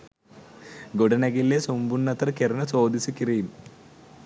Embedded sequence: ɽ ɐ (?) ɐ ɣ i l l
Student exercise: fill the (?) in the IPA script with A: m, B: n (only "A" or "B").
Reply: B